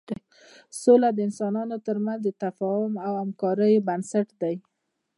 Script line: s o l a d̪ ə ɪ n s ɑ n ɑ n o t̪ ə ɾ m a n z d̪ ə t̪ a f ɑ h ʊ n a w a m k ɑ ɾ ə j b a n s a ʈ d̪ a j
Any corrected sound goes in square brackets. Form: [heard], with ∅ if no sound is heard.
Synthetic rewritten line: s o l a d̪ ə ɪ n s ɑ n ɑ n o t̪ ə ɾ m a n z d̪ ə t̪ a f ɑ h ʊ [m] a w a m k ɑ ɾ ə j b a n s a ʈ d̪ a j

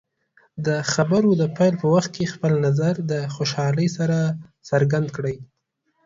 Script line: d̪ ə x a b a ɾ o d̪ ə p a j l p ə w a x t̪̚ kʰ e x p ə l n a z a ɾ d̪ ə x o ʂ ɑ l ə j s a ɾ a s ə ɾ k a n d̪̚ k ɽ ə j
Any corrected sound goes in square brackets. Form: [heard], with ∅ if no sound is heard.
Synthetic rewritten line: d̪ ə x a b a ɾ o d̪ ə p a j l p ə w a x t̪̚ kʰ e x p ə l n a z a ɾ d̪ ə x o [ʃ] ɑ l ə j s a ɾ a s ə ɾ [ɡ] a n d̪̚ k ɽ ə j

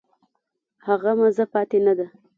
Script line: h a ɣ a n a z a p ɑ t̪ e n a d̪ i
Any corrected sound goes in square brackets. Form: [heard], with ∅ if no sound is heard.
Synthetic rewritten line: h a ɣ a [m] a z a p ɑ t̪ e n a d̪ [a]

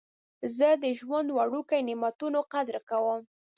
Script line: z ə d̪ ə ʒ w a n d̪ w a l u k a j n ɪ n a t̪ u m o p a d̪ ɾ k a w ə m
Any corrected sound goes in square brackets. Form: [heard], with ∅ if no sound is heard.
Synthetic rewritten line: z ə d̪ ə ʒ w a n d̪ w a [ɽ] u k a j n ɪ [m] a t̪ u [n] o [q] a d̪ ɾ k a w ə m

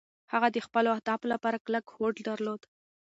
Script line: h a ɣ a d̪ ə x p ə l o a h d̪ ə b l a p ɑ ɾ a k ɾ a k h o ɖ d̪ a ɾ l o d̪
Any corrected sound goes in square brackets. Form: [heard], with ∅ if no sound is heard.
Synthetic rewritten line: h a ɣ a d̪ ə x p ə l o a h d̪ [ɑ] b l a p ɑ ɾ a k [l] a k h o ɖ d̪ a ɾ l o d̪

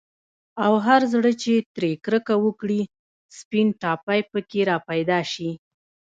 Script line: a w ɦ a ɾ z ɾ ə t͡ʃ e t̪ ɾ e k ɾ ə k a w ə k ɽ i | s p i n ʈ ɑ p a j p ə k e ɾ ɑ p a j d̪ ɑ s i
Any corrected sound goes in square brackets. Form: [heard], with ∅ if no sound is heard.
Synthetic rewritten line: a w ɦ a ɾ z [ɽ] ə t͡ʃ e t̪ ɾ e k ɾ ə k a w ə k ɽ i | s p i n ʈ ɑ p a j p ə k e ɾ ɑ p a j d̪ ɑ [ʃ] i

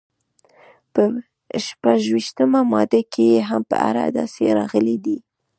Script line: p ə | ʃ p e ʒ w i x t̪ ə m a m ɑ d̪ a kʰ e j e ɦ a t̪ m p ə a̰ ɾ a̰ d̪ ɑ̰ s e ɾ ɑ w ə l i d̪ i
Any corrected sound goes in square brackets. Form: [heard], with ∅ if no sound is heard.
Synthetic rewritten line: p ə | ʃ p [a] ʒ w i [ʃ] t̪ ə m a m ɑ d̪ a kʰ e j e ɦ a [∅] m p ə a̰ ɾ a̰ d̪ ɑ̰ s e ɾ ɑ [ɣ] ə l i d̪ i

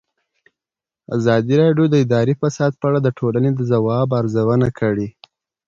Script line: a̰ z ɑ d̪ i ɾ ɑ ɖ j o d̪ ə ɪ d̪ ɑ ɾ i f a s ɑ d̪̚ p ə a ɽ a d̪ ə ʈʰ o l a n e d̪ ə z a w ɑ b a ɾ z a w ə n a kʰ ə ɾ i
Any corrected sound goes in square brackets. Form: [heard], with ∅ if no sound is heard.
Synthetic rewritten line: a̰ z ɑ d̪ i ɾ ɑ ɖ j o d̪ ə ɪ d̪ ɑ ɾ i f a s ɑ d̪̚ p ə a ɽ a d̪ ə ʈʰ o l a n e d̪ ə z a w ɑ b a ɾ z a w ə n a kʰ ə [ɽ] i

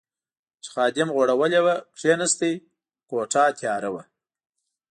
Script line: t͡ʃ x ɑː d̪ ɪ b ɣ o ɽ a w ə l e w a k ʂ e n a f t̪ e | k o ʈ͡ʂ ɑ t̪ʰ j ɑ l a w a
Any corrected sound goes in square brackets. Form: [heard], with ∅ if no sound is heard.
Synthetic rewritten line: t͡ʃ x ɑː d̪ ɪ [m] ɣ o ɽ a w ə l e w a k ʂ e n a [s] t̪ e | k o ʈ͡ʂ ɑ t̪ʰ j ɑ [ɾ] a w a

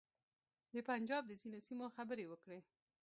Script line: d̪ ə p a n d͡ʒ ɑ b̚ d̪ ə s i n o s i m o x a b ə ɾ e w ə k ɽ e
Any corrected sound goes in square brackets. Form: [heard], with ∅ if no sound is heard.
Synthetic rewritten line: d̪ ə p a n d͡ʒ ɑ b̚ d̪ ə [z] i n o s i m o x a b ə ɾ e w ə k ɽ e

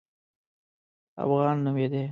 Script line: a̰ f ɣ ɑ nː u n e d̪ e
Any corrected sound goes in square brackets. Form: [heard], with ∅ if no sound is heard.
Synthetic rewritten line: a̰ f ɣ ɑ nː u [m] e d̪ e

